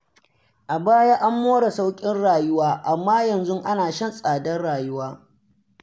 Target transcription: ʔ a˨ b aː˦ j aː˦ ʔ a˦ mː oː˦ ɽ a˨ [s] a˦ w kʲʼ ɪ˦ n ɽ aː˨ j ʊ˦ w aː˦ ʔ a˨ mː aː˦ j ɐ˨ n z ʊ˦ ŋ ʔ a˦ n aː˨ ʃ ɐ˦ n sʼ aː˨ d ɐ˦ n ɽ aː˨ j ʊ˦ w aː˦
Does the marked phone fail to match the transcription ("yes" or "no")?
no